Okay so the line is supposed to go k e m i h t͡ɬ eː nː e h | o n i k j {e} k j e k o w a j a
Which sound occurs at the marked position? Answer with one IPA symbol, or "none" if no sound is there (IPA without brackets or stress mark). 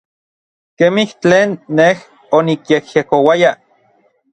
e